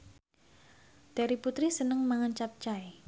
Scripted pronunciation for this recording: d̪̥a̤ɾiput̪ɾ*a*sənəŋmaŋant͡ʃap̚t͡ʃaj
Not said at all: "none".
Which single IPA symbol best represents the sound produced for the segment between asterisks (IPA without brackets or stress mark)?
i